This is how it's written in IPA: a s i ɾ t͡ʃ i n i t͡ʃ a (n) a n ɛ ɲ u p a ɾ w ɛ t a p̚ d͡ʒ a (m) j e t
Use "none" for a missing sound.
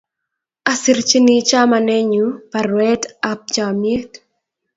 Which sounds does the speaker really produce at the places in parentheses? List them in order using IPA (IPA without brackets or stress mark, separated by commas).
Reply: m, m